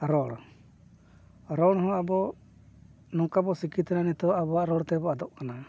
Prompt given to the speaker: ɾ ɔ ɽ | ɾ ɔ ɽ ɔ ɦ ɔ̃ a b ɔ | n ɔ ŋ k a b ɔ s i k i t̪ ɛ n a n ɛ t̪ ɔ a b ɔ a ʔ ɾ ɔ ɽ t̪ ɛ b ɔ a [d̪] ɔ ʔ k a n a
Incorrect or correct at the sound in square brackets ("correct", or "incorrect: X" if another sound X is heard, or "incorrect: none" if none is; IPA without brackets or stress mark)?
correct